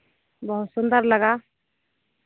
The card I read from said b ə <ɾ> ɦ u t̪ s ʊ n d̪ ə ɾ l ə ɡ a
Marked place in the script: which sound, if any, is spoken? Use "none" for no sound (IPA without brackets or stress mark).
none